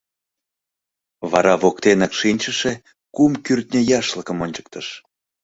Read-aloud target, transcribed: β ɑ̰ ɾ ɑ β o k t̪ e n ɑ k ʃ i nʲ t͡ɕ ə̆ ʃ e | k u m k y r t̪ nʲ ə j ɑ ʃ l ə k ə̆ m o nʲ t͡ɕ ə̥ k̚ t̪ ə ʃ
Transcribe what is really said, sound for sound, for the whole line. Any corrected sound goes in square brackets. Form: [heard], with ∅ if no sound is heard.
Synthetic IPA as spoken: β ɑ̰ ɾ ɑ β o k t̪ e n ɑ k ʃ i nʲ t͡ɕ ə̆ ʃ e | k u m k y r t̪ nʲ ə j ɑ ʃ l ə k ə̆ m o nʲ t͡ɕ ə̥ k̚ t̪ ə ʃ